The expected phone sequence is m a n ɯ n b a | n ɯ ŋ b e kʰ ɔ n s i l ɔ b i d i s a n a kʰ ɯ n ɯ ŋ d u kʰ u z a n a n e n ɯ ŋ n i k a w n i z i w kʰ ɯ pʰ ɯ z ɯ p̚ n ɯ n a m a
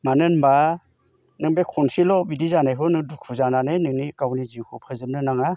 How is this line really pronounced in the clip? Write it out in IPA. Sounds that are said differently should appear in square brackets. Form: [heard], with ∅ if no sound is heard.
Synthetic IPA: m a n ɯ n b a | n ɯ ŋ b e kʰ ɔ n s i l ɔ b i d i [z] a n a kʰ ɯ n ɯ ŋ d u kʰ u z a n a n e n ɯ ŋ n i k a w n i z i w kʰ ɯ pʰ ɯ z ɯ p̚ n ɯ n a [ŋ] a